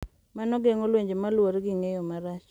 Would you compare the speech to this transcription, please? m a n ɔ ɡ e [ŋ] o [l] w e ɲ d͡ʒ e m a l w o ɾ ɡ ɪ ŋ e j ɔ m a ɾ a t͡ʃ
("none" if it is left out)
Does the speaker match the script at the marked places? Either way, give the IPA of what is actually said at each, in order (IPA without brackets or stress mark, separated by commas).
ŋ, l